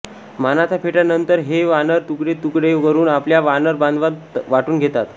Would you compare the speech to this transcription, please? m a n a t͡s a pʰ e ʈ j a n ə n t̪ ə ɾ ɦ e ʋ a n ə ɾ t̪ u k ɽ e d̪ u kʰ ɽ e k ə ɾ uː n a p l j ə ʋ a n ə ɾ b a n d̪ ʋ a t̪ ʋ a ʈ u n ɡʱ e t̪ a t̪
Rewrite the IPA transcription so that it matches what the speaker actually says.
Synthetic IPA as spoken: m a n a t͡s a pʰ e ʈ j a n ə n t̪ ə ɾ ɦ e ʋ a n ə ɾ t̪ u k ɽ e t̪ u k ɽ e k ə ɾ uː n a p l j a ʋ a n ə ɾ b a n d̪ ʋ a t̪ ʋ a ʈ uː n ɡʱ e t̪ a t̪